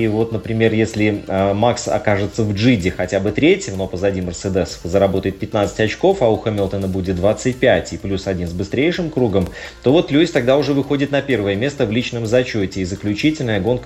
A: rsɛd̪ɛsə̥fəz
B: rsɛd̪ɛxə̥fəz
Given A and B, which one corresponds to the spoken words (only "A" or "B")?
A